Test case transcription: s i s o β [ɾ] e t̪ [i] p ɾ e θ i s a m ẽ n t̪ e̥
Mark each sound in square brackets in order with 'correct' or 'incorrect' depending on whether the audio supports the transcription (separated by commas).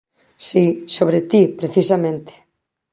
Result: correct, correct